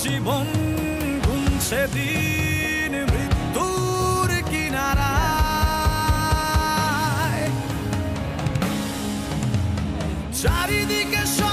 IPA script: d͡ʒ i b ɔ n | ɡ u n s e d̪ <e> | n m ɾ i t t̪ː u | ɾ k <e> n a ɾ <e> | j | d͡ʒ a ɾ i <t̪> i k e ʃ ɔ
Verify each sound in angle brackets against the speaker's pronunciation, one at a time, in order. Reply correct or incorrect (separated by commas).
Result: incorrect, incorrect, incorrect, incorrect